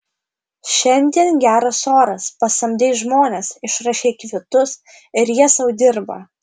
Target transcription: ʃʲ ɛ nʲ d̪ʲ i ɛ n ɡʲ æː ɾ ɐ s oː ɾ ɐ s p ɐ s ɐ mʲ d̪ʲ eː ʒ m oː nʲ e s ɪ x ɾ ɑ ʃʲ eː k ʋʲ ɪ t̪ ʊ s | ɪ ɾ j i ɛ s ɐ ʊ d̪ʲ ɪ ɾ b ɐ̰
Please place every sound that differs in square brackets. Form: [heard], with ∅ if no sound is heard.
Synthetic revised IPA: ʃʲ ɛ nʲ d̪ʲ i ɛ n ɡʲ æː ɾ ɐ s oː ɾ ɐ s p ɐ s ɐ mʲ d̪ʲ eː ʒ m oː nʲ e s ɪ [ʃ] ɾ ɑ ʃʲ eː k ʋʲ ɪ t̪ ʊ s | ɪ ɾ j i ɛ s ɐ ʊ d̪ʲ ɪ ɾ b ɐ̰

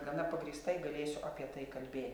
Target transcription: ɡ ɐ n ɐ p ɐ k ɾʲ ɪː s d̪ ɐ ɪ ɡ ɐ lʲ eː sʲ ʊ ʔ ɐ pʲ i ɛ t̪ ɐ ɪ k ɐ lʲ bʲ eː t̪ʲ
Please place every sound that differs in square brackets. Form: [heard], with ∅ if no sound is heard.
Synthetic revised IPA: ɡ ɐ n ɐ p ɐ [ɡ] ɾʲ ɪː s [t̪] ɐ ɪ ɡ ɐ lʲ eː sʲ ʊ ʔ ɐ pʲ i ɛ t̪ ɐ ɪ k ɐ lʲ bʲ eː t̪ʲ

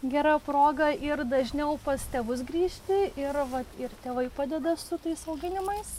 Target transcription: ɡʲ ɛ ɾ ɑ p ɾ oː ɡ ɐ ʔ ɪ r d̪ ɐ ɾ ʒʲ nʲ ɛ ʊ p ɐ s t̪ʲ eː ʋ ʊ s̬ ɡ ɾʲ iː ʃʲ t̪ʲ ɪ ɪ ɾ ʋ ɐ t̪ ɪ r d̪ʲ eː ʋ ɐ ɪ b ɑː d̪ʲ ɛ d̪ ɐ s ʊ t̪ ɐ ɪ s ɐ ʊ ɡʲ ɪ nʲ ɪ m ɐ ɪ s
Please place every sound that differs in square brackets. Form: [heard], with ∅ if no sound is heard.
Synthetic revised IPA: ɡʲ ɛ ɾ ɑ p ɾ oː ɡ ɐ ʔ ɪ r d̪ ɐ [∅] ʒʲ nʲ ɛ ʊ p ɐ s t̪ʲ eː ʋ ʊ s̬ ɡ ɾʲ iː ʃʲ t̪ʲ ɪ ɪ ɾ ʋ ɐ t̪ ɪ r [t̪ʲ] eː ʋ ɐ ɪ [p] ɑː d̪ʲ ɛ d̪ ɐ s ʊ t̪ ɐ ɪ s ɐ ʊ ɡʲ ɪ nʲ ɪ m ɐ ɪ s

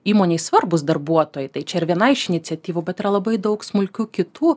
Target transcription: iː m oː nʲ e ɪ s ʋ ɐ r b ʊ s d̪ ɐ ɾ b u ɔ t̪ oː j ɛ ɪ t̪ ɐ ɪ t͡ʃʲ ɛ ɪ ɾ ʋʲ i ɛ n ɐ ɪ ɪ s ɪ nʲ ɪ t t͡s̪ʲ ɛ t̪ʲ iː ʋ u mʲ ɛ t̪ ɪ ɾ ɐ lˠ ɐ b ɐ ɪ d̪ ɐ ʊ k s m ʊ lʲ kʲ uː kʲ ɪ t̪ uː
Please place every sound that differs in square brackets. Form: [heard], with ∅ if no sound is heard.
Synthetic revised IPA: iː m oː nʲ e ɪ s ʋ ɐ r b ʊ s d̪ ɐ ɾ b u ɔ t̪ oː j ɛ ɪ t̪ ɐ ɪ t͡ʃʲ ɛ ɪ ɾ ʋʲ i ɛ n ɐ ɪ ɪ [ʃ] ɪ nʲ ɪ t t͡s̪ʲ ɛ t̪ʲ iː ʋ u [bʲ] ɛ t̪ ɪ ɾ ɐ lˠ ɐ b ɐ ɪ d̪ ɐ ʊ k s m ʊ lʲ kʲ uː kʲ ɪ t̪ uː

